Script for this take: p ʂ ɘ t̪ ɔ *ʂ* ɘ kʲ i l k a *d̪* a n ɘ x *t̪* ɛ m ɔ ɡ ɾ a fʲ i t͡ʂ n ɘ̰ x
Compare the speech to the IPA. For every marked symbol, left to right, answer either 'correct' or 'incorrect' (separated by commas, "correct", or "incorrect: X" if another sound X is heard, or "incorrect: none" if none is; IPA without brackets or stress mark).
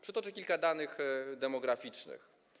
incorrect: t͡ʂ, correct, incorrect: d̪